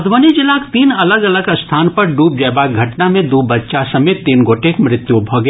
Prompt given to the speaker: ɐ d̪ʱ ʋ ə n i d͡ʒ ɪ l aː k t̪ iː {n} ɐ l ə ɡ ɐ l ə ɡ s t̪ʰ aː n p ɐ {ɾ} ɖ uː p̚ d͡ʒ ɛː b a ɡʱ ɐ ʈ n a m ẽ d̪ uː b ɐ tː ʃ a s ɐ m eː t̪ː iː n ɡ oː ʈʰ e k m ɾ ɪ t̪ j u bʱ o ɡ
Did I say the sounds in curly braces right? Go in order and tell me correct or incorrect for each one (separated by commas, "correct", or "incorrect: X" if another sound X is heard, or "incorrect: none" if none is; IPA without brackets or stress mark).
correct, correct